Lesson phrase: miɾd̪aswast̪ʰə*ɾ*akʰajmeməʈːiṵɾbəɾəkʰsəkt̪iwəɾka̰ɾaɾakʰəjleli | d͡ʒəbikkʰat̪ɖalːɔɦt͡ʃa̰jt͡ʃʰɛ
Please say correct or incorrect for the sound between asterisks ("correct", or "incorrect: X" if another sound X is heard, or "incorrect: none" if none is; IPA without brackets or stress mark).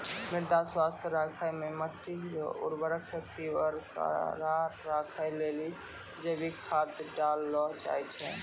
correct